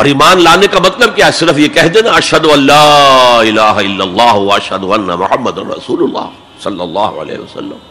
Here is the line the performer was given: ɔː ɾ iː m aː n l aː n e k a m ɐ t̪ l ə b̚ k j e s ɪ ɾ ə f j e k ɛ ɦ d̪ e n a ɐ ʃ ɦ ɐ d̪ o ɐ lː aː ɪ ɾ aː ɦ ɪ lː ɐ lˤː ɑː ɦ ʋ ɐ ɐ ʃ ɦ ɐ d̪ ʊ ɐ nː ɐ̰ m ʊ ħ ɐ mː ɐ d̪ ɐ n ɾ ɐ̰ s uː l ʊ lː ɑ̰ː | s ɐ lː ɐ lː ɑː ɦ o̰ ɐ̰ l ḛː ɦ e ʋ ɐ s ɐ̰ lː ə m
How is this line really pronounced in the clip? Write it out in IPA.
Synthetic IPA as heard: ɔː ɾ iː m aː n l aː n e k a m ɐ t̪ l ə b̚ k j a s ɪ ɾ ə f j e k ɛ ɦ d̪ e n a ɐ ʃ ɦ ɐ d̪ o ɐ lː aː ɪ l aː ɦ ɪ lː ɐ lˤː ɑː ɦ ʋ ɐ ɐ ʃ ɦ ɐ d̪ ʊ ɐ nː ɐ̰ m ʊ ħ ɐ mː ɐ d̪ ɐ n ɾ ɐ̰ s uː l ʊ lː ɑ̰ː | s ɐ lː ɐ lː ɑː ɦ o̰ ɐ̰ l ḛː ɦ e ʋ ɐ s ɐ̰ lː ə m